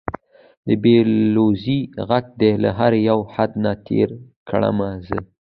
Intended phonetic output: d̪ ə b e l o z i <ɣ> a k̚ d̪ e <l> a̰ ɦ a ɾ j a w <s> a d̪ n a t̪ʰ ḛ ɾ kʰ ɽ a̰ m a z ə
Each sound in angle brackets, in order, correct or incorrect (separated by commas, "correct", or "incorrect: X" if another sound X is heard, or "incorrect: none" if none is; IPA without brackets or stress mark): correct, correct, incorrect: h